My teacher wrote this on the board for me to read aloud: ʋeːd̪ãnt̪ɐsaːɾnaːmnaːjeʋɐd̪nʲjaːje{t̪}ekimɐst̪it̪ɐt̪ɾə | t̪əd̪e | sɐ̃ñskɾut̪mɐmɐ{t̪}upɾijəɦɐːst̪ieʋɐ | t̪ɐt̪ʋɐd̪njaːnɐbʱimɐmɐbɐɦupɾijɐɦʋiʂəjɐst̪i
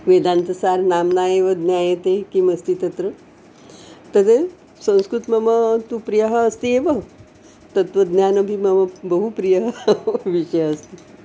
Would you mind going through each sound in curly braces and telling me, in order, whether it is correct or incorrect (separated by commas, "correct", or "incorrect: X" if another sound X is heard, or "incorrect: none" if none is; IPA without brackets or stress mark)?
correct, correct